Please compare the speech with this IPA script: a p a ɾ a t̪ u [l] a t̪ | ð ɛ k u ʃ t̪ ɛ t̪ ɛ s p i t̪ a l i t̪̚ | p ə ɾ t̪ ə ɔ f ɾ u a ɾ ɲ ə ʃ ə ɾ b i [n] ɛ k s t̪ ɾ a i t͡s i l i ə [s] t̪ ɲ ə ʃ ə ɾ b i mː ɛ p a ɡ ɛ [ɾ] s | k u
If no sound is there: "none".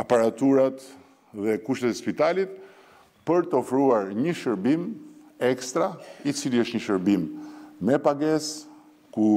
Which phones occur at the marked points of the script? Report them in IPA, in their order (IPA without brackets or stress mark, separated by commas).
ɾ, m, ʃ, none